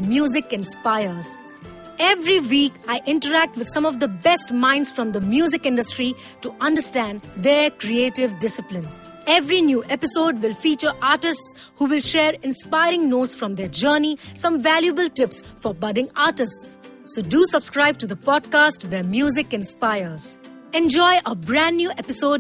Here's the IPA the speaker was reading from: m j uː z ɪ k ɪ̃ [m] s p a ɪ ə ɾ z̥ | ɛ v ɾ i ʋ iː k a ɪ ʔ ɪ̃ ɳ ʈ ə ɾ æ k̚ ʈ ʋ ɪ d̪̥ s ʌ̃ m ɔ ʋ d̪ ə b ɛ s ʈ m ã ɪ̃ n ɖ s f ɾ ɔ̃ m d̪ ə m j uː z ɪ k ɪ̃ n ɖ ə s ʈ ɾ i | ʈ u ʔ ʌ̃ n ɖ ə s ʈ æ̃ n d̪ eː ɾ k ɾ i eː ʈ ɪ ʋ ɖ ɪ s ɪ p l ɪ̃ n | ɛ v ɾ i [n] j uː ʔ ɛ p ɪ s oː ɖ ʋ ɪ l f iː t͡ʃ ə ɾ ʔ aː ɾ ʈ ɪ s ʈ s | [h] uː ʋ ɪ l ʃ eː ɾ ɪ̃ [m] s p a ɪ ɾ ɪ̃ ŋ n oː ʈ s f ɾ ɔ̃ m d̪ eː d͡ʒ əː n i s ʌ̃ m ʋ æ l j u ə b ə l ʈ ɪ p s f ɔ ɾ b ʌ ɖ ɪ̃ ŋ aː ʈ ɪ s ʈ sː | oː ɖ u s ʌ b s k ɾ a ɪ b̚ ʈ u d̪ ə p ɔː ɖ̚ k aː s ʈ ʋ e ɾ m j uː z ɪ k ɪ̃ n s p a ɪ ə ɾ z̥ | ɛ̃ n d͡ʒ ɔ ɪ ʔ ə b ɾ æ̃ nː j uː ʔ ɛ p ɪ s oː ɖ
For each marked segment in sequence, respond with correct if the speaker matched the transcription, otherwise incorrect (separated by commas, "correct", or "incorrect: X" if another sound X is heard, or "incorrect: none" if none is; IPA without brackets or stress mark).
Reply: incorrect: n, correct, correct, incorrect: n